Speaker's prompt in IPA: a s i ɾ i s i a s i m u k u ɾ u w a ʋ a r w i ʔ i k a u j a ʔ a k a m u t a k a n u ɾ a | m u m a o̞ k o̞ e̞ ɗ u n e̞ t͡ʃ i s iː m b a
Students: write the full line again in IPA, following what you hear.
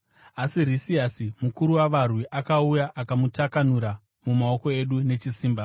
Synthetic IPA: a s i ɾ i s i a s i m u k u ɾ u w a ʋ a r w i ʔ a k a u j a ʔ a k a m u t a k a n u ɾ a | m u m a o̞ k o̞ e̞ ɗ u n e̞ t͡ʃ i s iː m b a